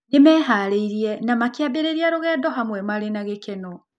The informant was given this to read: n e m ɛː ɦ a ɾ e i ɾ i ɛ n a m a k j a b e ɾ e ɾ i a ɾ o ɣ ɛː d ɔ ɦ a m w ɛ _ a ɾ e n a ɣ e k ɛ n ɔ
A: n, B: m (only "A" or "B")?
B